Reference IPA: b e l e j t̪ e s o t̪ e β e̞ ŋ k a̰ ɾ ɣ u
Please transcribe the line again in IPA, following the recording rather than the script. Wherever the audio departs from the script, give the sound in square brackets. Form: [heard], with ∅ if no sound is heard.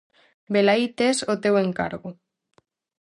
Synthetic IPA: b e l [a] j t̪ e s o t̪ e [w] e̞ ŋ k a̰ ɾ ɣ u